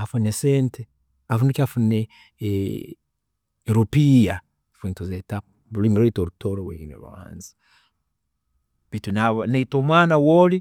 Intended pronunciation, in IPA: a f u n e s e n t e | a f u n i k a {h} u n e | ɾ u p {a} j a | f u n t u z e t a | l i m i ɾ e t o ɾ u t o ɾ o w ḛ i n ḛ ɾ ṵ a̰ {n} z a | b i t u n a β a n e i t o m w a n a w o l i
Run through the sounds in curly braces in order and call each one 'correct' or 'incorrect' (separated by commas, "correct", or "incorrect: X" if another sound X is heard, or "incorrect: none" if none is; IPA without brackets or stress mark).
incorrect: f, incorrect: i, correct